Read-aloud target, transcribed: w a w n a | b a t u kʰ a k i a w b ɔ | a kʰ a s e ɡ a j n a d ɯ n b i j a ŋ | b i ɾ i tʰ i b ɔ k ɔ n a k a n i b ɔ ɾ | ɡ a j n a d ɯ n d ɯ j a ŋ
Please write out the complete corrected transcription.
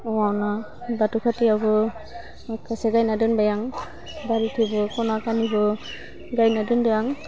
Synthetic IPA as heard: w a w n a | b a t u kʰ a t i a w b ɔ | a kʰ a s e ɡ a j n a d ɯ n b a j a ŋ | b a ɾ i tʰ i b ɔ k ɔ n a k a n i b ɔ | ɡ a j n a d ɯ n d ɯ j a ŋ